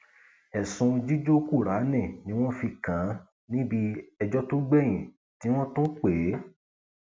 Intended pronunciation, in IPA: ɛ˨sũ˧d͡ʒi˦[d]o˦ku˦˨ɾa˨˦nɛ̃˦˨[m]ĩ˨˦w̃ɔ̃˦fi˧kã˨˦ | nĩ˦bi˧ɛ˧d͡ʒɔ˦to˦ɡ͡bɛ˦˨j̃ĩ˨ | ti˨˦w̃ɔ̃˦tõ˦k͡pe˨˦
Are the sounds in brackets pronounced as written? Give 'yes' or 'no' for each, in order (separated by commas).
no, no